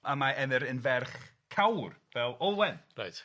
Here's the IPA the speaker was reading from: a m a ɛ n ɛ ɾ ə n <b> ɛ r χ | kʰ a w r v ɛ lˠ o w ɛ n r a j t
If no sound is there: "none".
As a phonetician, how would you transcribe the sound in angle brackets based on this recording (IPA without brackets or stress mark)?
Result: v